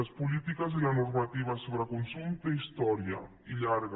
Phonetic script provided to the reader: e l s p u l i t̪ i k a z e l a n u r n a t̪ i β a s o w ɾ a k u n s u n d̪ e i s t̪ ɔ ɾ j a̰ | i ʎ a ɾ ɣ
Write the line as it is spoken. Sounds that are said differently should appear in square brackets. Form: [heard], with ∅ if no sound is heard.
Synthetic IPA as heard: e [∅] s p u l i t̪ i k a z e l a n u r [m] a t̪ i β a s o [β] ɾ a k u n s u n [t̪] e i s t̪ ɔ ɾ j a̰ | i ʎ a ɾ ɣ